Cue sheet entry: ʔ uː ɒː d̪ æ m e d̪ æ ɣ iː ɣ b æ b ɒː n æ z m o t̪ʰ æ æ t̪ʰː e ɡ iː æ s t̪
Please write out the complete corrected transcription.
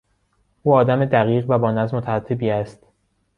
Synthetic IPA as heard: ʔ uː ɒː d̪ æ m e d̪ æ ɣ iː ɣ v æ b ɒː n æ z m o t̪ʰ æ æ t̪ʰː e b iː æ s t̪

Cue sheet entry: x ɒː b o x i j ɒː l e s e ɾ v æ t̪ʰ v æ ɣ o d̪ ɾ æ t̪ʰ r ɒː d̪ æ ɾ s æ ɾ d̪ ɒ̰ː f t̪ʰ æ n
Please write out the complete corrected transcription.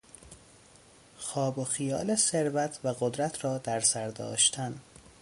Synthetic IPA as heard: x ɒː b o x i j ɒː l e s e ɾ v æ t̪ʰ v æ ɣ o d̪ ɾ æ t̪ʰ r ɒː d̪ æ ɾ s æ ɾ d̪ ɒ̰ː ʃ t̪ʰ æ n

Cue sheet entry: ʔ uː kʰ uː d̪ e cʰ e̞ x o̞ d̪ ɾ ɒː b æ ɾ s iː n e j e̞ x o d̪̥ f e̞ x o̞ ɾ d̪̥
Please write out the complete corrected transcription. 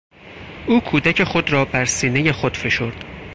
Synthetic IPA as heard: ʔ uː kʰ uː d̪ æ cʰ e̞ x o̞ d̪ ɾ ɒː b æ ɾ s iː n e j e̞ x o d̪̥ f e̞ ʃ o̞ ɾ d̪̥

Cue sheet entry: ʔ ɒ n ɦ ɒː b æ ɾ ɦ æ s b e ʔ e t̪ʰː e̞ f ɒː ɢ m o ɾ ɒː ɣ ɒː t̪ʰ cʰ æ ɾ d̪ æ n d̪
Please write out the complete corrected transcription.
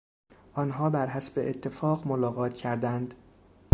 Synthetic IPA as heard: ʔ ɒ n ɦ ɒː b æ ɾ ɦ æ s b e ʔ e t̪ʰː e̞ f ɒː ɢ m o l ɒː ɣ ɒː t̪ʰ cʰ æ ɾ d̪ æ n d̪

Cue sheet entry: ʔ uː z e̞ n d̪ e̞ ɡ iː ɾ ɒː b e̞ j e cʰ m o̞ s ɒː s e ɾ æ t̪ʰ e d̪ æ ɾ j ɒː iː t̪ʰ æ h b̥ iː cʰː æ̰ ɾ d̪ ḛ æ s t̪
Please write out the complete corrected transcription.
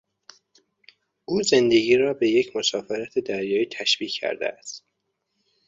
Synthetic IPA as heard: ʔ uː z e̞ n d̪ e̞ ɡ iː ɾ ɒː b e̞ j e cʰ m o̞ s ɒː f e ɾ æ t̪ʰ e d̪ æ ɾ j ɒː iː t̪ʰ æ ʃ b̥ iː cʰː æ̰ ɾ d̪ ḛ æ s t̪

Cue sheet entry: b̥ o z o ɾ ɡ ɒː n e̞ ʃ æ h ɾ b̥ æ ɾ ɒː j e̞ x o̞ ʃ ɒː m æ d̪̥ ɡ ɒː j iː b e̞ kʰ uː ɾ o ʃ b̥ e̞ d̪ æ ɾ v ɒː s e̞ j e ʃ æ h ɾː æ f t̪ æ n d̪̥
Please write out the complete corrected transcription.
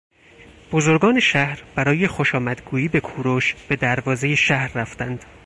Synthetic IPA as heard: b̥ o z o ɾ ɡ ɒː n e̞ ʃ æ h ɾ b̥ æ ɾ ɒː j e̞ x o̞ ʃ ɒː m æ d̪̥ ɡ uː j iː b e̞ kʰ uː ɾ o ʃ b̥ e̞ d̪ æ ɾ v ɒː z e̞ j e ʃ æ h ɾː æ f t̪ æ n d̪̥

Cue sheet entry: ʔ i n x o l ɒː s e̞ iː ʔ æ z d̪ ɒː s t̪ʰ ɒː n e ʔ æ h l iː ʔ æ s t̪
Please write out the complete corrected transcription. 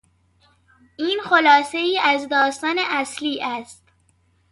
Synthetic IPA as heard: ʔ iː n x o l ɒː s e̞ iː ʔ æ z d̪ ɒː s t̪ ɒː n e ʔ æ s l iː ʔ æ s t̪

